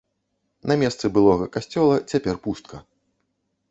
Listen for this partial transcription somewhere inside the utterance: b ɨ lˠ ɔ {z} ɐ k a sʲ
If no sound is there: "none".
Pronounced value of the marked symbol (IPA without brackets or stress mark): ɣ